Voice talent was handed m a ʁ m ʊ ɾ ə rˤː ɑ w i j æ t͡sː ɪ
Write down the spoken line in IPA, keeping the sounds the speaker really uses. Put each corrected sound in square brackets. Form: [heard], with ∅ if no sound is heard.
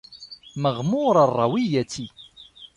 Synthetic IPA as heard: m [ə] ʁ m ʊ ɾ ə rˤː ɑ w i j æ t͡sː [i]